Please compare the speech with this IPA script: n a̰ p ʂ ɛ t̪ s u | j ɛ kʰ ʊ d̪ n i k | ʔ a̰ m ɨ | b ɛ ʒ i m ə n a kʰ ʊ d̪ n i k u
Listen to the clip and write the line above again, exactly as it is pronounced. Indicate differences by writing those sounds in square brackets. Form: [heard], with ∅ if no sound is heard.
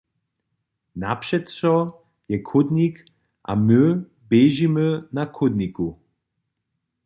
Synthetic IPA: n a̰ p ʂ ɛ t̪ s [ɔ] | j ɛ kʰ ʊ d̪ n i k | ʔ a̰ m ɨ | b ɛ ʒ i m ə n a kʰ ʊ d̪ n i k u